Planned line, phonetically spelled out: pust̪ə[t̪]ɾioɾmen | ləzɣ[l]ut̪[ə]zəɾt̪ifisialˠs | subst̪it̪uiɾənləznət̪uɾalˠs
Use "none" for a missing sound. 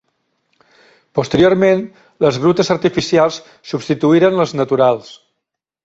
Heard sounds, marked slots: none, ɾ, ə

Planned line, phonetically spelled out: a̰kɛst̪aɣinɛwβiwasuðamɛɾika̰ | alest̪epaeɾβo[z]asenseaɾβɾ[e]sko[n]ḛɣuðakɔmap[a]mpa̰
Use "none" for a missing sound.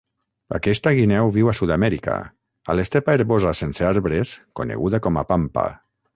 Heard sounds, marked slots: z, e, n, a

